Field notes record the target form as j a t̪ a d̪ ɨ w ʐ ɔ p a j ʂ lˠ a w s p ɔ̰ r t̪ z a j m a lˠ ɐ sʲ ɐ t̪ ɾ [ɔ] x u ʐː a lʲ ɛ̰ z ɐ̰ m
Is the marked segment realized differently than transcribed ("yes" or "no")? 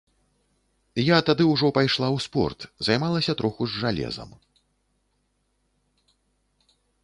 no